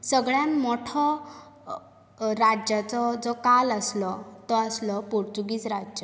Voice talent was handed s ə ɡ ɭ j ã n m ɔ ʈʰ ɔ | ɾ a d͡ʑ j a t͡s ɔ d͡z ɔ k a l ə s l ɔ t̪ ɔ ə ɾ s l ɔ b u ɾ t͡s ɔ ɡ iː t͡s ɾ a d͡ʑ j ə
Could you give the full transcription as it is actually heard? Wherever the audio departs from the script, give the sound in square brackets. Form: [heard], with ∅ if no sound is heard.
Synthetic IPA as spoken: s ə ɡ ɭ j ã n m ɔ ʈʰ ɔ | ɾ a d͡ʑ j a t͡s ɔ d͡z ɔ k a l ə s l ɔ t̪ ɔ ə [∅] s l ɔ [p] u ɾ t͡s [u] ɡ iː t͡s ɾ a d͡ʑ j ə